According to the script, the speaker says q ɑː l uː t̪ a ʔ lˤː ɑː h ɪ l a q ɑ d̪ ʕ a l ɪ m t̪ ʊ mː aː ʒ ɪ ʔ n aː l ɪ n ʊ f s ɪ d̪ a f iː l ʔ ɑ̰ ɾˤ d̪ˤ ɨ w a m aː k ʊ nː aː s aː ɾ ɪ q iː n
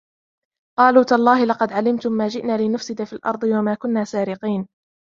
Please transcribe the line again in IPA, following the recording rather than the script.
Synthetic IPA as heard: q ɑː l uː t̪ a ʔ lˤː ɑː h ɪ l ɑ q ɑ d̪ ʕ a l ɪ m t̪ ʊ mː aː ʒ ɪ ʔ n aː l ɪ n ʊ f s ɪ d̪ a f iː l ʔ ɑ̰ ɾˤ d̪ˤ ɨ w a m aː k ʊ nː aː s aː ɾ ɪ q iː n